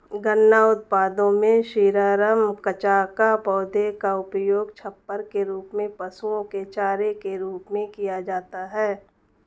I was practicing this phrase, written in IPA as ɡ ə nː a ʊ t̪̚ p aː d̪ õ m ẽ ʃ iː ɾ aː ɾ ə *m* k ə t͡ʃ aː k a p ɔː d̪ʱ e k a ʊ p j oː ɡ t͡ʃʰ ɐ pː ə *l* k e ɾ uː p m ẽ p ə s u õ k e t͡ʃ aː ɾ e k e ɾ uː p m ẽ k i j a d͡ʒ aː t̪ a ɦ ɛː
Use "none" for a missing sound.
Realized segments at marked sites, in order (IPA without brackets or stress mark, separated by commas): m, ɾ